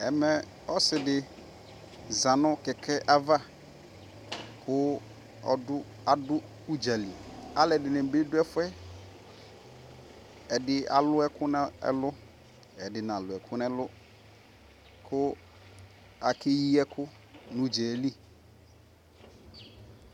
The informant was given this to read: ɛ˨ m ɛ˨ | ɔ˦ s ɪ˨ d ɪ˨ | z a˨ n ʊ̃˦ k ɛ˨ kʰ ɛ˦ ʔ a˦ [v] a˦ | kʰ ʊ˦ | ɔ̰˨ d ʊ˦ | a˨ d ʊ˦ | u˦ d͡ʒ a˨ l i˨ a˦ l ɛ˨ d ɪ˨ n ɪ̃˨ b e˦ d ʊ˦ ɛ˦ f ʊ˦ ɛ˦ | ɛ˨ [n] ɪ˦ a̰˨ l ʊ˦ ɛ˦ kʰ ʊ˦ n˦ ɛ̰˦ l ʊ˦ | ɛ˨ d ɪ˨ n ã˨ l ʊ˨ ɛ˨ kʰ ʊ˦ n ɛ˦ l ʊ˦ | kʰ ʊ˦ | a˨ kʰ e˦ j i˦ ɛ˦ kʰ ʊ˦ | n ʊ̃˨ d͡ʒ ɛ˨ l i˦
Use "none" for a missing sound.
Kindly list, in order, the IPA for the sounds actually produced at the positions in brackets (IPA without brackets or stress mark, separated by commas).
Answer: v, d